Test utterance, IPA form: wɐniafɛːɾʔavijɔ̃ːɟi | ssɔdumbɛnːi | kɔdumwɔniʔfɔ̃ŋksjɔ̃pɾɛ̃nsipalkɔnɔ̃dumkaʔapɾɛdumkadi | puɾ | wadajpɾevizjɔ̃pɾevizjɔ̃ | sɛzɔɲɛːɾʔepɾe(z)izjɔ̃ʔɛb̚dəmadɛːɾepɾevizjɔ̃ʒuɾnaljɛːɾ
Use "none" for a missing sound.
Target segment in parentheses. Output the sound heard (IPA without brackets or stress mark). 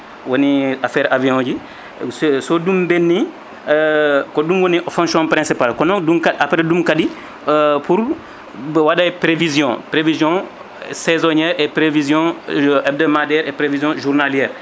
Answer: v